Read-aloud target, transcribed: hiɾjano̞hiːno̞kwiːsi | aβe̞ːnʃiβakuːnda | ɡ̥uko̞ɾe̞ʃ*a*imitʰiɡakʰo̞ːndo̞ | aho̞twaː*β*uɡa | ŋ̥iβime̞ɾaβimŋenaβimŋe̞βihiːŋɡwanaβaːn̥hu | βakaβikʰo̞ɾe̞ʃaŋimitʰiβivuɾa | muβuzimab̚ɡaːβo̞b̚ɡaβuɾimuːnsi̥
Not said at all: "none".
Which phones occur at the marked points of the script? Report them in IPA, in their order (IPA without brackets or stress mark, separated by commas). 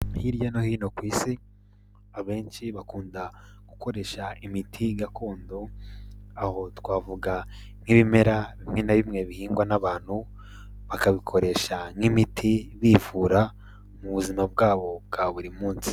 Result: a, v